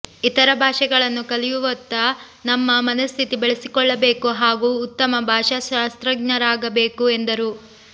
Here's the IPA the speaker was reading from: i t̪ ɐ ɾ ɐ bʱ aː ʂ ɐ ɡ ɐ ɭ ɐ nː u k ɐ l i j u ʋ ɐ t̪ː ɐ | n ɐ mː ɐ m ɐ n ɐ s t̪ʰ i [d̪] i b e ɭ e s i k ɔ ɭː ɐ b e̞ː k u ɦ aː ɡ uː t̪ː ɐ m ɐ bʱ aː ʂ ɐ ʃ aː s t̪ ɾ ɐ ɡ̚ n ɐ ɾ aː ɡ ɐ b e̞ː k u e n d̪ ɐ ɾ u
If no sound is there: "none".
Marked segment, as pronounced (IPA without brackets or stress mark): t̪